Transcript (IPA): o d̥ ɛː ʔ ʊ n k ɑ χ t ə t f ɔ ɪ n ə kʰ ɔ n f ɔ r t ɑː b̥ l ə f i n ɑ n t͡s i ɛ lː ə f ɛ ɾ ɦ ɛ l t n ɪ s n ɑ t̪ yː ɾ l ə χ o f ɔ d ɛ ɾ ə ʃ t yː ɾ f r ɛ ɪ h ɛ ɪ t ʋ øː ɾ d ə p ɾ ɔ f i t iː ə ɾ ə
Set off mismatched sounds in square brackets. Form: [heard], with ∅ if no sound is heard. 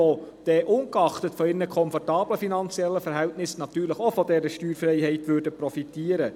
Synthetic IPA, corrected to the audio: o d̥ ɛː ʔ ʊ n k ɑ χ t ə t f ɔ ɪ n ə kʰ ɔ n f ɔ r t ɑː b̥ l ə f i n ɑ n t͡s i ɛ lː ə f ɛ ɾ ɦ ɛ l t n ɪ s n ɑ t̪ yː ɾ l ə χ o f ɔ d ɛ ɾ ə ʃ t yː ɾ f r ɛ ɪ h ɛ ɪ t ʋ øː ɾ d ə p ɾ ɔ f i t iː ə ɾ ə